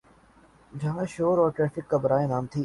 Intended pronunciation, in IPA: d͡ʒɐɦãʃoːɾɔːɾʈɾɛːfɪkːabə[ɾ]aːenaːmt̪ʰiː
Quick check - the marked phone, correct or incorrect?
correct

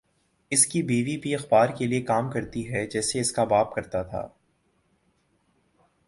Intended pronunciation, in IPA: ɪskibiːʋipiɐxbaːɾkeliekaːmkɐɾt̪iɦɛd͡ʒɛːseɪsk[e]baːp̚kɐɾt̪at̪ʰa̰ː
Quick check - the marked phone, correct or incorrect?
incorrect: a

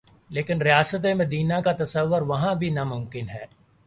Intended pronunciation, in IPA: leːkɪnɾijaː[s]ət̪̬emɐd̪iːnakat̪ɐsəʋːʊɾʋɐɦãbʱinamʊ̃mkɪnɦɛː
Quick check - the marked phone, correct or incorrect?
correct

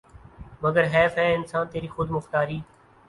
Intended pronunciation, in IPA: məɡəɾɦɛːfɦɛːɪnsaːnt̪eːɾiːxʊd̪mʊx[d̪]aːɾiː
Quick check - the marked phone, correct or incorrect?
incorrect: t̪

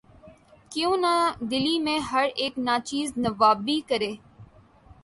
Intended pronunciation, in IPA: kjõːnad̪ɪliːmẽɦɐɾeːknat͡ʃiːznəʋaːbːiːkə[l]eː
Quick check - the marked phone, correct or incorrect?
incorrect: ɾ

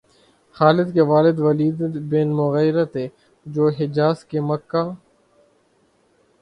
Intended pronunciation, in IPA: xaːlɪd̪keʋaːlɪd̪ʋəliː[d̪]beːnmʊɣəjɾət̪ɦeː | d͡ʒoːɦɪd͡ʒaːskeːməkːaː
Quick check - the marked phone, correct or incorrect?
correct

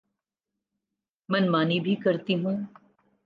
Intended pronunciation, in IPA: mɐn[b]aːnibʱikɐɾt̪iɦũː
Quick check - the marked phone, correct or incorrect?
incorrect: m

